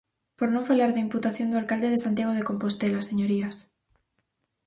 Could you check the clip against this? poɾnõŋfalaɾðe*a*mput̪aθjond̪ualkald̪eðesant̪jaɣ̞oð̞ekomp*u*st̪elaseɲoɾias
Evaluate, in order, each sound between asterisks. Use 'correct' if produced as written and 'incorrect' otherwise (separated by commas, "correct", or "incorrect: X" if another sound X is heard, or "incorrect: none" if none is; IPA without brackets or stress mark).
incorrect: i, incorrect: o